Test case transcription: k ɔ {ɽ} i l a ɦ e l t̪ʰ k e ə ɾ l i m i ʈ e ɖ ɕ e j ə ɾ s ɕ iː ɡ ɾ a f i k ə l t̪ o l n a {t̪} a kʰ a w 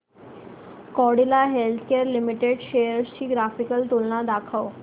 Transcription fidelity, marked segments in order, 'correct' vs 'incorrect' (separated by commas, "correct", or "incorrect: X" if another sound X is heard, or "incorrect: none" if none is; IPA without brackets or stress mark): correct, incorrect: d̪